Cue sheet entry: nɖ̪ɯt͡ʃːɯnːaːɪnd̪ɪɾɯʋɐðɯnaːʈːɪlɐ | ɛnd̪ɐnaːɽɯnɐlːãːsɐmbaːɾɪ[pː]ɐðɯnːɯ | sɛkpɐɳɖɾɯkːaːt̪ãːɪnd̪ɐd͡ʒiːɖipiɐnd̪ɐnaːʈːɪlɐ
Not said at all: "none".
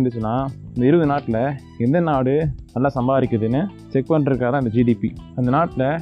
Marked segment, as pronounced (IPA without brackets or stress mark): kː